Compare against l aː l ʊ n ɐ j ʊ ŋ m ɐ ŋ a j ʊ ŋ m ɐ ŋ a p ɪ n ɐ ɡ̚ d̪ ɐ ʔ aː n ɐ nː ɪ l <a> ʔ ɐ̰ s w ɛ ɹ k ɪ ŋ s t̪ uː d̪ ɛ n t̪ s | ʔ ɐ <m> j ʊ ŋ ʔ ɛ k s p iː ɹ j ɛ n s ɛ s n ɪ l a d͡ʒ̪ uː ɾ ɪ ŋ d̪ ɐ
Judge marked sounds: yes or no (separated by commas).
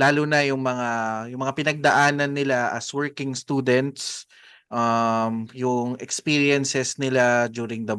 yes, yes